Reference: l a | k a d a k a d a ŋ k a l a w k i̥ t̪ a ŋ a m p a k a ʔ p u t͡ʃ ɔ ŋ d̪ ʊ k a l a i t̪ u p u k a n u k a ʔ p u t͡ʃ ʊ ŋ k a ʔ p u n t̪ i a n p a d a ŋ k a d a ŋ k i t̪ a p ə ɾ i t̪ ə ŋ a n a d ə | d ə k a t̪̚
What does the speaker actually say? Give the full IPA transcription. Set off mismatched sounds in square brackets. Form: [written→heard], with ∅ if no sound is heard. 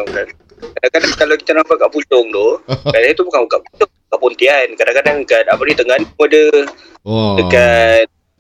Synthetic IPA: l a | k a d a k a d a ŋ k a l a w k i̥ t̪ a [ŋ→n] a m p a k a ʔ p u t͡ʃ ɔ ŋ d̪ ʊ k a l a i t̪ u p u k a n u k a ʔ p u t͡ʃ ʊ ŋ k a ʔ p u n t̪ i a n [p→k] a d a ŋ k a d a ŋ k [i→a] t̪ a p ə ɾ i t̪ ə ŋ a n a d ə | d ə k a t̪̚